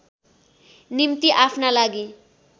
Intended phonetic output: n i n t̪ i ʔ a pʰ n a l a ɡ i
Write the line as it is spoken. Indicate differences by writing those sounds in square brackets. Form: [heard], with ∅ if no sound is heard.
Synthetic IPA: n i [m] t̪ i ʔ a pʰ n a l a ɡ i